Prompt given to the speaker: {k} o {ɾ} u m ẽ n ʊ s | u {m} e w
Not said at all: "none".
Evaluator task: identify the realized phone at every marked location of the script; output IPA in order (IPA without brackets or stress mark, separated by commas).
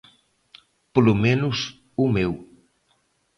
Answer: p, l, m